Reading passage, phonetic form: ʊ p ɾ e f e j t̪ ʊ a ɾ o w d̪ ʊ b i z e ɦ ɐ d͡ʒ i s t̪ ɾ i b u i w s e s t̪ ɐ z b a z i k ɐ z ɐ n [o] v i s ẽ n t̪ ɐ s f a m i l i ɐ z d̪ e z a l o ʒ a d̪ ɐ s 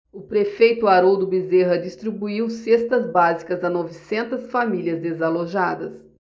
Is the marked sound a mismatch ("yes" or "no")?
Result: yes